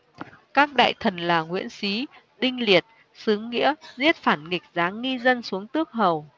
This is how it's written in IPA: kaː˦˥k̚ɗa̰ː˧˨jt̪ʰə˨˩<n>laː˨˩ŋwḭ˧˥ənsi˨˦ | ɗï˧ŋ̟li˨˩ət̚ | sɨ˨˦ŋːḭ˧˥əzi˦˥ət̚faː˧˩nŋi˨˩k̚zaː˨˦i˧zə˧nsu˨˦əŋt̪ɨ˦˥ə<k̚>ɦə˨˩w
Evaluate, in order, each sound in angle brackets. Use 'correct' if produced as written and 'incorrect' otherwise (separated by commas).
correct, correct